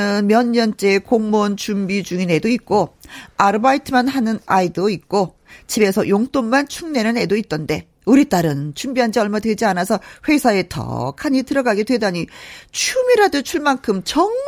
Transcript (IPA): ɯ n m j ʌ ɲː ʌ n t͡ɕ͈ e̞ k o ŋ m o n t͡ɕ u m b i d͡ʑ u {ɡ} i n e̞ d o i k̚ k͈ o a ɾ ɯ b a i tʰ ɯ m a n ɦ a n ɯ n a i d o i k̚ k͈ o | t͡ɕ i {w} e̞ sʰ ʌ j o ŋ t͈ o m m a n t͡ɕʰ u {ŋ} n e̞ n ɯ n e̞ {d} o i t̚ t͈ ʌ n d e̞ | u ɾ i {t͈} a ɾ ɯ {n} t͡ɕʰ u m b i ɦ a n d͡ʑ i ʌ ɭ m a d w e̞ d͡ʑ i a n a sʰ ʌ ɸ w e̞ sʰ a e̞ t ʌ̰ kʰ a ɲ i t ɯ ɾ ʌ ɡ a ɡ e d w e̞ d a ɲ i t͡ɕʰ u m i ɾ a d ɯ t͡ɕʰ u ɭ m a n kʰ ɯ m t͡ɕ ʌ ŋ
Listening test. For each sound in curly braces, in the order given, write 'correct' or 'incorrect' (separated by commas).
incorrect, incorrect, correct, correct, correct, correct